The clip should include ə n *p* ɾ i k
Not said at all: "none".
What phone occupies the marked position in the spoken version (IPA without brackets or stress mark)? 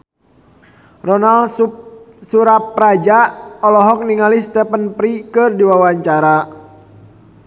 p